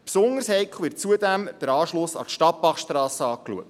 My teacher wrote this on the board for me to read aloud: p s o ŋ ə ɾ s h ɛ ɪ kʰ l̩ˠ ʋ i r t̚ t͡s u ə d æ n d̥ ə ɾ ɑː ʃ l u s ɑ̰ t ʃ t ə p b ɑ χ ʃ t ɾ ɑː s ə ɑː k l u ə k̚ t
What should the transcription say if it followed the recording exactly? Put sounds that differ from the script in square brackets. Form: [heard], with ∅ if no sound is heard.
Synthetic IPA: p s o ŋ ə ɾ s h ɛ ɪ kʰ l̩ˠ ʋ [ɪ] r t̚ t͡s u ə d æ [m] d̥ ə ɾ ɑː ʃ l [ʊ] s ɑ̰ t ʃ t [ɑ] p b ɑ χ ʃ t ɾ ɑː s ə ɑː k l u ə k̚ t